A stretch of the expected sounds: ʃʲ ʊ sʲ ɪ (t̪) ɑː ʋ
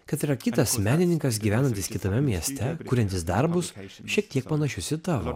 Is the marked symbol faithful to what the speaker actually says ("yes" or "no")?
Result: yes